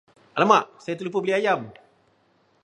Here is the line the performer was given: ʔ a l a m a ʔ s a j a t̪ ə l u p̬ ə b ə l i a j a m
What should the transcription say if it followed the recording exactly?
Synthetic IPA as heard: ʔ a l a m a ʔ s a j a t̪ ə l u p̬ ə b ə l i a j a m